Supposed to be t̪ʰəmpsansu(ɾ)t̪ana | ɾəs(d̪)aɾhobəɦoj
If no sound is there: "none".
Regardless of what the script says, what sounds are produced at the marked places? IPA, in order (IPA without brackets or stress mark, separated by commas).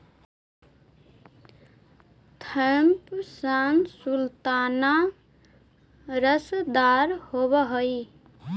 l, d̪